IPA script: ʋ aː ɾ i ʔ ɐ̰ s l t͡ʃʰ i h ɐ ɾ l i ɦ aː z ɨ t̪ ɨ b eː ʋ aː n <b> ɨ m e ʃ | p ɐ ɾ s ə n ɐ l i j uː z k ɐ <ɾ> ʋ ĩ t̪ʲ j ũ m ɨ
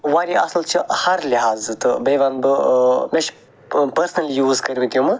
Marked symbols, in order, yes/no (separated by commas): yes, yes